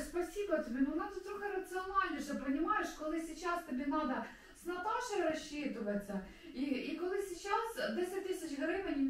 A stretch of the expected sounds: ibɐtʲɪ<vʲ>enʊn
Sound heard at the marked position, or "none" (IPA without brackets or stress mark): bʲ